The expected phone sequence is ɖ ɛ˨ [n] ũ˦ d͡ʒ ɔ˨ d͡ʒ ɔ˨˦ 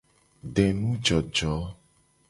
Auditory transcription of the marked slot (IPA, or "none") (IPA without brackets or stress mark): n